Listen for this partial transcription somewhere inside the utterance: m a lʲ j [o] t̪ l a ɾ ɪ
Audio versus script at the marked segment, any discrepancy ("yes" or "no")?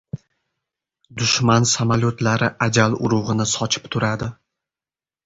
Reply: no